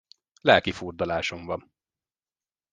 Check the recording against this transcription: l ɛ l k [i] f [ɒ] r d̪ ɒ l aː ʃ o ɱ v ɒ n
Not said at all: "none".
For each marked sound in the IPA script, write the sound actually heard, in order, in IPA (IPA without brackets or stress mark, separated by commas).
i, u